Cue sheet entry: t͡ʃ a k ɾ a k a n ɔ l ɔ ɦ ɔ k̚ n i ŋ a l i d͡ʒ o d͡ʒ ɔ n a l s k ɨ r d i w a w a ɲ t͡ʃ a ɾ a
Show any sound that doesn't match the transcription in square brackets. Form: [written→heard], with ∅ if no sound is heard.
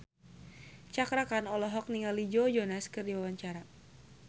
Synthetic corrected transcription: t͡ʃ a k ɾ a k a n ɔ l ɔ ɦ ɔ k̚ n i ŋ a l i d͡ʒ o d͡ʒ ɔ n a [l→∅] s k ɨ r d i w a w a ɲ t͡ʃ a ɾ a